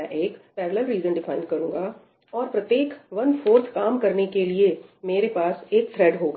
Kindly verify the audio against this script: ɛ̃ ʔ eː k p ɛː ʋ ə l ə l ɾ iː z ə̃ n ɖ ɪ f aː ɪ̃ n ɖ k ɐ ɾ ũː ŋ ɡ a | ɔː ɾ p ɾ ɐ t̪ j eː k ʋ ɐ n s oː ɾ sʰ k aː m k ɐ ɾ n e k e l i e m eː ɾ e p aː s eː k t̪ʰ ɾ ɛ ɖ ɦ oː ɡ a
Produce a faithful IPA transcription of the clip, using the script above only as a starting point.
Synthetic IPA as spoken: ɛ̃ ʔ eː k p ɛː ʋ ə l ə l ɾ iː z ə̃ n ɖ ɪ f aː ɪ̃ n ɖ k ɐ ɾ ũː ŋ ɡ a | ɔː ɾ p ɾ ɐ t̪ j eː k ʋ ɐ n f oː ɾ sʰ k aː m k ɐ ɾ n e k e l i e m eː ɾ e p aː s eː k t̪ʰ ɾ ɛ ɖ ɦ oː ɡ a